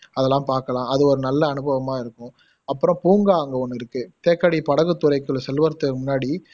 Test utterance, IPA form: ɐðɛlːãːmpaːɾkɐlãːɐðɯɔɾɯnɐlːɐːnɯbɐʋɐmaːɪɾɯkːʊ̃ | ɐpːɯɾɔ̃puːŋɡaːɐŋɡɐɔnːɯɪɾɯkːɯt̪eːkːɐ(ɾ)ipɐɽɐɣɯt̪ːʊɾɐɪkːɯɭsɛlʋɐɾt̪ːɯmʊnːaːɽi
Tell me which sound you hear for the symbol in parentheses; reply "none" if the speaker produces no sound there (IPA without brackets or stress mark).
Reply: ɽ